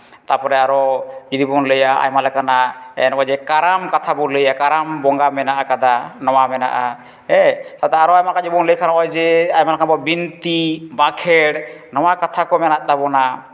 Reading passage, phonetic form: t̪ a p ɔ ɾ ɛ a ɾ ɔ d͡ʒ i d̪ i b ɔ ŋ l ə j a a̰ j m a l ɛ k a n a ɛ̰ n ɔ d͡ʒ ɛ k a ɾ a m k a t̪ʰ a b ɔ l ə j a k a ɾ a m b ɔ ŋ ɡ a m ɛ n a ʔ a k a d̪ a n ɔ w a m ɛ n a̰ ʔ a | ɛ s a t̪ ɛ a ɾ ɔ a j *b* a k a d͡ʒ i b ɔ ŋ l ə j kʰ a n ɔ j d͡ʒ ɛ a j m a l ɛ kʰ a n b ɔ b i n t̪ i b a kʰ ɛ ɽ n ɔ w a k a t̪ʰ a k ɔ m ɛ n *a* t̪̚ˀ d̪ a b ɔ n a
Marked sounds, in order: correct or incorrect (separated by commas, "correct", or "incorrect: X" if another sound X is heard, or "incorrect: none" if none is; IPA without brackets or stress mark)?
incorrect: m, correct